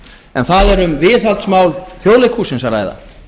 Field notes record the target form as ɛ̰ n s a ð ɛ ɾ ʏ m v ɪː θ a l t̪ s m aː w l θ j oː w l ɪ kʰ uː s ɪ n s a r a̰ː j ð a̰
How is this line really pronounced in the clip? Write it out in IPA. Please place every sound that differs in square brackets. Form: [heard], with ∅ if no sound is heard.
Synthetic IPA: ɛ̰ n [θ] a ð ɛ ɾ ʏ m v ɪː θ a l t̪ s m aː w l θ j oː w l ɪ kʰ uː s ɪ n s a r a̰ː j ð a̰